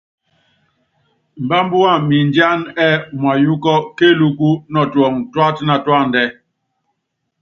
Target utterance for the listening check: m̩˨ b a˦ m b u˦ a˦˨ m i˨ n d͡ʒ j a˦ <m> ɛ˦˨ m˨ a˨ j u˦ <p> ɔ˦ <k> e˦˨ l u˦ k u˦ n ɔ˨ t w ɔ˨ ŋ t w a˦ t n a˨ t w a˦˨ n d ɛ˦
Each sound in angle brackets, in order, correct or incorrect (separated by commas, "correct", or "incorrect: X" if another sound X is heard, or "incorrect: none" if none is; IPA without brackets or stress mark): incorrect: n, incorrect: k, correct